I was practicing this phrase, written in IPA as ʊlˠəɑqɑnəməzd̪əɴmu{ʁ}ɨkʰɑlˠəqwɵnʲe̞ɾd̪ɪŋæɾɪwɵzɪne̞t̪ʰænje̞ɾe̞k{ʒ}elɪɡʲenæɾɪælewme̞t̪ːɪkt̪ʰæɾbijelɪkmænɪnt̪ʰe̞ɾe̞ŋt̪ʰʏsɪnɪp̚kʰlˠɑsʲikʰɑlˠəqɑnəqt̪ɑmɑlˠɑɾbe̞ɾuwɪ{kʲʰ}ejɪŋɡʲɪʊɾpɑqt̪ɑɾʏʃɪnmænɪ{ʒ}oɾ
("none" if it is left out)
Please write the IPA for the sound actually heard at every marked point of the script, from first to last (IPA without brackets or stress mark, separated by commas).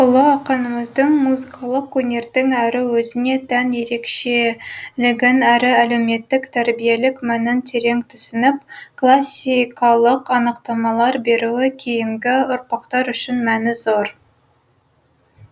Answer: z, ʃ, kʲʰ, z